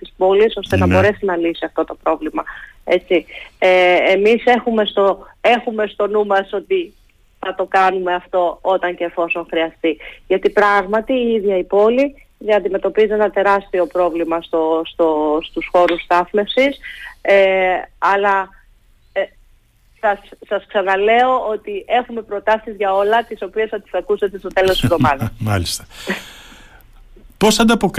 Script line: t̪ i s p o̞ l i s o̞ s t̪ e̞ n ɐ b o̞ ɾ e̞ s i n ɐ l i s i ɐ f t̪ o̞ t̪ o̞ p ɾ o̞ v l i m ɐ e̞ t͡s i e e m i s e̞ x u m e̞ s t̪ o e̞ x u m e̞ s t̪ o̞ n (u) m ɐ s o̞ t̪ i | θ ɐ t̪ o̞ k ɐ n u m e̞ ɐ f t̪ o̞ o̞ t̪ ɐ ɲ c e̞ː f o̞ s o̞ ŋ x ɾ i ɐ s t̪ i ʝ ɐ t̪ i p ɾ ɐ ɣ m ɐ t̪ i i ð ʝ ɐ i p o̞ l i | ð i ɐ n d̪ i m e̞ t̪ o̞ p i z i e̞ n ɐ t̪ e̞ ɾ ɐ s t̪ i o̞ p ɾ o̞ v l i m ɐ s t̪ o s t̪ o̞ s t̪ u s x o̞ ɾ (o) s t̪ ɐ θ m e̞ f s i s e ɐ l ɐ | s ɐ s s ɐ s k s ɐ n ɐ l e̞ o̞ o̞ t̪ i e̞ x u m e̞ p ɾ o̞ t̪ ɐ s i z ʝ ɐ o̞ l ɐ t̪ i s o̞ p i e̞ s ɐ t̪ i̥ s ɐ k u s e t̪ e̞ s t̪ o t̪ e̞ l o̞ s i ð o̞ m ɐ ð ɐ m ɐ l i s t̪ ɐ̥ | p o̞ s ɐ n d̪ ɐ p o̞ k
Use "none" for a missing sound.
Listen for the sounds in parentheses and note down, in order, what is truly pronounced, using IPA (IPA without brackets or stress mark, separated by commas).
u, u